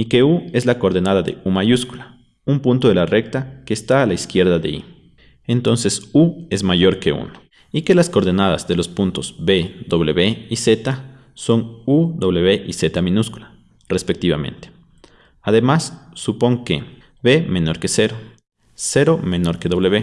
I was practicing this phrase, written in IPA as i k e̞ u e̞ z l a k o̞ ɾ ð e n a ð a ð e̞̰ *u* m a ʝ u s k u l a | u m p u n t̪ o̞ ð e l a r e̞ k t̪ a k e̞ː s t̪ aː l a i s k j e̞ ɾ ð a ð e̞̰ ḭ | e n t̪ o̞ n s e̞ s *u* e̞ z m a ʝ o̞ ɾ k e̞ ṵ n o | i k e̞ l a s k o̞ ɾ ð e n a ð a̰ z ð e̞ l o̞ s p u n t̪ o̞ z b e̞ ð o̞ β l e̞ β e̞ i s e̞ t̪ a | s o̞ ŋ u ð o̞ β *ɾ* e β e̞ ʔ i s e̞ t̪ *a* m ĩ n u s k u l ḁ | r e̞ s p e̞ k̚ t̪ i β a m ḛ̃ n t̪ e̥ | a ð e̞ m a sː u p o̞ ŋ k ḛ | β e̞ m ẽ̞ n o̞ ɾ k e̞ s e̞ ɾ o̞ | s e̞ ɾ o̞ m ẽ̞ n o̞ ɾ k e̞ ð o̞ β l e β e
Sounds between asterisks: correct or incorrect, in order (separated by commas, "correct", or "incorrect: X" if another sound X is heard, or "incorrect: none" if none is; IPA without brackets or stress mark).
correct, correct, incorrect: l, correct